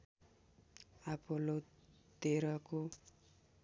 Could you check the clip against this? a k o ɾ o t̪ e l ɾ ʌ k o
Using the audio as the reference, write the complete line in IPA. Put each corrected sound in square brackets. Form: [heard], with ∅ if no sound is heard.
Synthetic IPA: a [p] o [l] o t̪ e [∅] ɾ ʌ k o